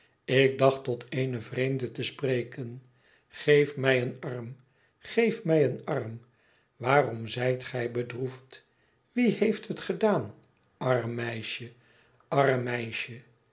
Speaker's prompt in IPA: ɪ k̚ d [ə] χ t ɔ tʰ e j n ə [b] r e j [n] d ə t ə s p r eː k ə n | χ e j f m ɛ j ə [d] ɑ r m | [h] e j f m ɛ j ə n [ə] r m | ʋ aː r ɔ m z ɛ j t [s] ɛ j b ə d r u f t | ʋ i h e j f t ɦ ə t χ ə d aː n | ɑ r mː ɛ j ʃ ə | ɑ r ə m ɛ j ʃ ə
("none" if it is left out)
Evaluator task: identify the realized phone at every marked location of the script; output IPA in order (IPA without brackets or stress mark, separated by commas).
ɑ, v, m, n, χ, ɑ, χ